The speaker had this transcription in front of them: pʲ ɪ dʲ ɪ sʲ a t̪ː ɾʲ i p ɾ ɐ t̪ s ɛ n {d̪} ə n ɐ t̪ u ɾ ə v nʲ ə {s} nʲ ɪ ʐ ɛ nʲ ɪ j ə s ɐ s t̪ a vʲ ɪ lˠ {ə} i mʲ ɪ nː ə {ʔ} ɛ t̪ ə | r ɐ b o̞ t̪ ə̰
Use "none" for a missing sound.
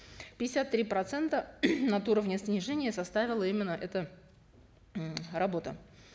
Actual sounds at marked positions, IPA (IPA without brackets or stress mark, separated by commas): t̪, s, ə, ʔ